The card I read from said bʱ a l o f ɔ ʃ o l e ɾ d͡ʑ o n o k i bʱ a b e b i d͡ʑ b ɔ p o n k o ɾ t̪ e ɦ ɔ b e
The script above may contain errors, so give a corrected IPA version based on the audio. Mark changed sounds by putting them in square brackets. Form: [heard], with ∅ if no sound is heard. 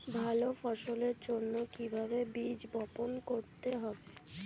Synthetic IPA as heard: bʱ a l o f ɔ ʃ o l e ɾ d͡ʑ o [nː] o k i bʱ a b e b i d͡ʑ b ɔ p o n k o ɾ t̪ e ɦ ɔ b e